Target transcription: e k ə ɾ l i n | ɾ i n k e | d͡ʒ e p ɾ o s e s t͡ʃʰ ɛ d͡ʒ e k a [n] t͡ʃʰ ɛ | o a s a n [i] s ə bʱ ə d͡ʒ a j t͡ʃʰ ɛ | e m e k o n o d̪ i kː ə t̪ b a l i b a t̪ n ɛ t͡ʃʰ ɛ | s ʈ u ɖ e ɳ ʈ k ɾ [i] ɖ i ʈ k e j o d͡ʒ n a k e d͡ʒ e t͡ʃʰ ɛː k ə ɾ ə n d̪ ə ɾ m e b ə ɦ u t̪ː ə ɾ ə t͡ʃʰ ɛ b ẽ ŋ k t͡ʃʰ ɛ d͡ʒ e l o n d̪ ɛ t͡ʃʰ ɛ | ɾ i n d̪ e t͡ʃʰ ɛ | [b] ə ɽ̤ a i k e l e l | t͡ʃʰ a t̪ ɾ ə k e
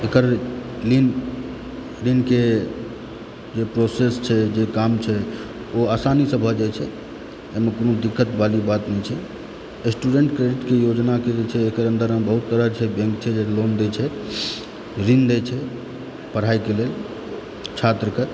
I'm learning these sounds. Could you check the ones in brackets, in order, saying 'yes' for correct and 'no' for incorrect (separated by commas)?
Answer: no, yes, no, no